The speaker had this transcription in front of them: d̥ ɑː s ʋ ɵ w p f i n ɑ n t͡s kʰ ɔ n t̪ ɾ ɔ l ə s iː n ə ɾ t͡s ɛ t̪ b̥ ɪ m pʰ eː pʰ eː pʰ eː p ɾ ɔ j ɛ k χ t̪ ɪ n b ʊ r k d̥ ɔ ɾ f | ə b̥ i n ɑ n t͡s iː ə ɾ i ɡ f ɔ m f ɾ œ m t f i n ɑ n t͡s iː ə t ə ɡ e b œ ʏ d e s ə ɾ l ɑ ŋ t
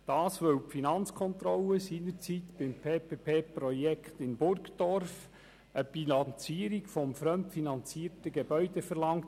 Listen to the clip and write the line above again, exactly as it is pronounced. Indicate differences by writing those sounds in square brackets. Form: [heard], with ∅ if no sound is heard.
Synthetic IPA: d̥ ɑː s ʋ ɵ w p f i n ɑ n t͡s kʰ ɔ n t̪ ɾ ɔ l ə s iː n ə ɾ t͡s [i] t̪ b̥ ɪ m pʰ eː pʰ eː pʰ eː p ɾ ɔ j ɛ k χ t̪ ɪ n b ʊ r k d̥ ɔ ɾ f | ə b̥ i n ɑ n t͡s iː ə ɾ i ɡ f ɔ m f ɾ œ m t f i n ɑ n t͡s iː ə t ə ɡ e b œ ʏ d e [f] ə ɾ l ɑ ŋ t